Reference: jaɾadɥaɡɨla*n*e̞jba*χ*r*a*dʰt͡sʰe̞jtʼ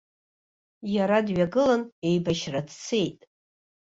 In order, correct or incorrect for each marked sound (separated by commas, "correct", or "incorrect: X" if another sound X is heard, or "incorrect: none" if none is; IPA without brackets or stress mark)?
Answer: correct, incorrect: ʃ, correct